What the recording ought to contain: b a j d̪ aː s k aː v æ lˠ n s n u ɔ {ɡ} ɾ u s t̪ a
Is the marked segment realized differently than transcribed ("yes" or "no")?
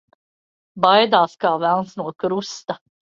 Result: yes